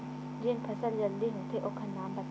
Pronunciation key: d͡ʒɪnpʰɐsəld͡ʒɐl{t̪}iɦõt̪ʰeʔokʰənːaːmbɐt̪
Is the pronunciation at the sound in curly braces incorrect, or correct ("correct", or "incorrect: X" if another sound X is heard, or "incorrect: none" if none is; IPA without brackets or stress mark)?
incorrect: d̪